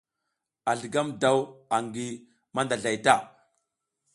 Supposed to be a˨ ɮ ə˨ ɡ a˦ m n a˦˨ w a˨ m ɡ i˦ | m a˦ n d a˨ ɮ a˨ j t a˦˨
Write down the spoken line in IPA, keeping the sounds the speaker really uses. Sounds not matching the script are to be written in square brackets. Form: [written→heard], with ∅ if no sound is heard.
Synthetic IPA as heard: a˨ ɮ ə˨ ɡ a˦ m [n→d] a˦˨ w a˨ [m→ŋ] ɡ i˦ | m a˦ n d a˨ ɮ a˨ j t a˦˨